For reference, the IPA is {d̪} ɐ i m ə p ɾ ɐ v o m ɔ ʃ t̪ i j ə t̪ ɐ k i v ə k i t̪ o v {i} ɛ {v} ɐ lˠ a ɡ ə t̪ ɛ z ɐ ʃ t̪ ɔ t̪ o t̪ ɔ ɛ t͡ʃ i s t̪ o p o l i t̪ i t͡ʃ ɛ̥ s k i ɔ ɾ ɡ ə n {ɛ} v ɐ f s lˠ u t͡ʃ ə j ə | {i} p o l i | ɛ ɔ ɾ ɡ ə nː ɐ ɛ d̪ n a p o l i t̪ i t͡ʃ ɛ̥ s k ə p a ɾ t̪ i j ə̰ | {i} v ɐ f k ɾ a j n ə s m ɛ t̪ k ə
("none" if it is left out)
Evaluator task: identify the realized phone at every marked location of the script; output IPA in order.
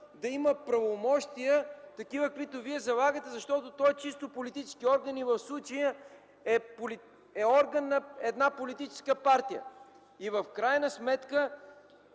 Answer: d̪, i, z, i, ɛ, i

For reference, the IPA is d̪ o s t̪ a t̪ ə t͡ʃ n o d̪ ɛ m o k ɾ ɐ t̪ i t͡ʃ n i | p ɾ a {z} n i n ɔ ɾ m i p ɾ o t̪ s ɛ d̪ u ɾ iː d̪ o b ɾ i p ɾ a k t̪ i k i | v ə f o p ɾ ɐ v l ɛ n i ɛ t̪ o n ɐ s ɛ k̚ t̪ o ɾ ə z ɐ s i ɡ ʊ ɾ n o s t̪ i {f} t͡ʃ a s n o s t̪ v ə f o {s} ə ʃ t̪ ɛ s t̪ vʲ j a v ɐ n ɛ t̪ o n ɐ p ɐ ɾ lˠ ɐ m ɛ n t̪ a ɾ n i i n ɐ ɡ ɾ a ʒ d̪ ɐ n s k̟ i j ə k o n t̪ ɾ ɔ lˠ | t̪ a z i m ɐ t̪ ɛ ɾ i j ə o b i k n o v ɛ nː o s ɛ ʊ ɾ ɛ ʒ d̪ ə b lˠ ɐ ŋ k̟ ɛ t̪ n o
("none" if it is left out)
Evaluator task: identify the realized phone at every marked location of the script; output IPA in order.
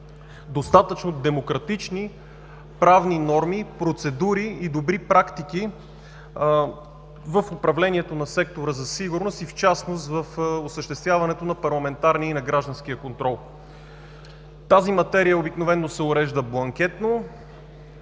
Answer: v, f, s

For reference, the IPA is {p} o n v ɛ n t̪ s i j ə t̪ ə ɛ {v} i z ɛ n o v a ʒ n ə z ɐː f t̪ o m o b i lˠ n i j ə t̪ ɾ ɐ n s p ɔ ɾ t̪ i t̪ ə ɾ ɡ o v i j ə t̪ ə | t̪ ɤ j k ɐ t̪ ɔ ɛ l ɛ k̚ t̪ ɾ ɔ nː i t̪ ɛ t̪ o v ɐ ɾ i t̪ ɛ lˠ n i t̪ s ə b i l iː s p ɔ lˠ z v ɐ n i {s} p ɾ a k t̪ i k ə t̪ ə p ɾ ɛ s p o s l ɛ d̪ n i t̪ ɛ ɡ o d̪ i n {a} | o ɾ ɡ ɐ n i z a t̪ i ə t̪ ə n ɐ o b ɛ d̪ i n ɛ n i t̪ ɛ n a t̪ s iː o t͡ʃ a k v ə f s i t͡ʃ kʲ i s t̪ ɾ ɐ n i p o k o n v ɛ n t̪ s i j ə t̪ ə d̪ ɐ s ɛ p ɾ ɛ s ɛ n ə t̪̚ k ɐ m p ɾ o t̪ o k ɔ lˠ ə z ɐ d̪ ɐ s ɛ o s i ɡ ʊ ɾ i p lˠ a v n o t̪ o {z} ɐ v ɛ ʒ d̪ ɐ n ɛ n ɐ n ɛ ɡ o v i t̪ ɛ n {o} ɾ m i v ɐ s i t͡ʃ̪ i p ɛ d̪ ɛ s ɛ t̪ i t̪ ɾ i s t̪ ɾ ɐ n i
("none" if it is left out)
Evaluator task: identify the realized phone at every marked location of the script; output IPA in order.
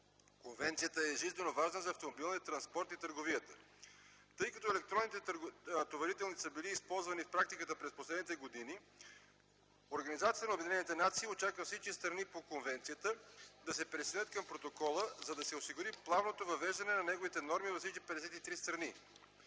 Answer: k, ʒ, f, i, v, ɔ

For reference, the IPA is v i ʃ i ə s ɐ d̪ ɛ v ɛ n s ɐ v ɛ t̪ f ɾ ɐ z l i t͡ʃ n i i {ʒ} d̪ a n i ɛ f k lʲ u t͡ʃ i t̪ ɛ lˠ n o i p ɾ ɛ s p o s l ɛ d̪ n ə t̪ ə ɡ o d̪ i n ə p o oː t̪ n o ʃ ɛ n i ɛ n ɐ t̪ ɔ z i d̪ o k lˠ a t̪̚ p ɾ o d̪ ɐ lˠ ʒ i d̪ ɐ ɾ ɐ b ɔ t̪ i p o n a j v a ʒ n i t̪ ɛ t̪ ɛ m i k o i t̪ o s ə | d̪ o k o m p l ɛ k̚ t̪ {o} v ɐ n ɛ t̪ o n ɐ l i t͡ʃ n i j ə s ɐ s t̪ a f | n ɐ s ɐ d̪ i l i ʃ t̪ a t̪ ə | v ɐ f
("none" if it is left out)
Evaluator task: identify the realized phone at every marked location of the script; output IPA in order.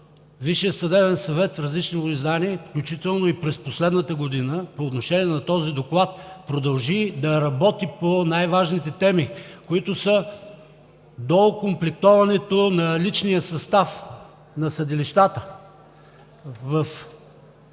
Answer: z, ɔ

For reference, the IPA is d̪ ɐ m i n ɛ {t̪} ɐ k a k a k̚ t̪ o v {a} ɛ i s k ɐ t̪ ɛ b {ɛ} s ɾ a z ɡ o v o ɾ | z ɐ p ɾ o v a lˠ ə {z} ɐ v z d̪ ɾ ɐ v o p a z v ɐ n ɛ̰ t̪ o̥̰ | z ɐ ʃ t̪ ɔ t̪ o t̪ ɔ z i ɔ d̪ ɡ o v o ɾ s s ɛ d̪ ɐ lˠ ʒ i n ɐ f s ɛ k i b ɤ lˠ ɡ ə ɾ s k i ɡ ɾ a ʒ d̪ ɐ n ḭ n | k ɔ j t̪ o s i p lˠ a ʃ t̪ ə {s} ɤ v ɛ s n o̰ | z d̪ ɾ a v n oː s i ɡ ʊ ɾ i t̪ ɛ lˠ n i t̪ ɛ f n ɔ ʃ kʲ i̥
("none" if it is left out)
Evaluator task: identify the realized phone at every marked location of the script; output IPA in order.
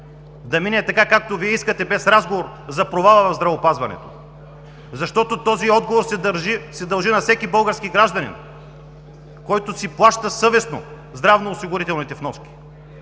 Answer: t̪, i, ɛ, v, s

